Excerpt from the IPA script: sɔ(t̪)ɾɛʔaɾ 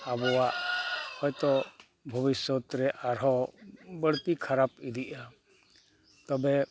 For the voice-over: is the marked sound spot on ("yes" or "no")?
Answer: yes